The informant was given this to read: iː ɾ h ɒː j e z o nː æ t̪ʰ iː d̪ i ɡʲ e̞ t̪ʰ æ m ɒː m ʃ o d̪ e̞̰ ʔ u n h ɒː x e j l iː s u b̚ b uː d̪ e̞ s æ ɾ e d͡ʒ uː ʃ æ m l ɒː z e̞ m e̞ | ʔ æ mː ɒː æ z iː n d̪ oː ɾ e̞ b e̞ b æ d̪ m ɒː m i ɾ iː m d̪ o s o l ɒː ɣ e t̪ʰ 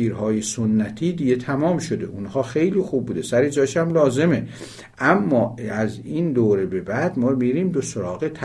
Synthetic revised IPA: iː ɾ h ɒː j e s o nː æ t̪ʰ iː d̪ i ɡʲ e̞ t̪ʰ æ m ɒː m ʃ o d̪ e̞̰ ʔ u n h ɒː x e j l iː x u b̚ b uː d̪ e̞ s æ ɾ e d͡ʒ ɒː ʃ æ m l ɒː z e̞ m e̞ | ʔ æ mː ɒː æ z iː n d̪ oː ɾ e̞ b e̞ b æ d̪ m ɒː m i ɾ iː m d̪ o s o ɾ ɒː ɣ e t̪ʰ